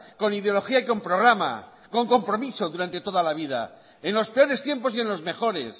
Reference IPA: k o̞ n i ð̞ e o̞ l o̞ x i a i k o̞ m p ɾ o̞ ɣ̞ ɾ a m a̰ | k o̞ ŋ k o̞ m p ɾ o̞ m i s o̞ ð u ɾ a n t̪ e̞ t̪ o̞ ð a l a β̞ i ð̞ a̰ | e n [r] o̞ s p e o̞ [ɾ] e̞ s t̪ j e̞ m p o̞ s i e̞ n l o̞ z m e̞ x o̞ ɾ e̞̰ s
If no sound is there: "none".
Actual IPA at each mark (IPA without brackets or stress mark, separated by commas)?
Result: l, ɾ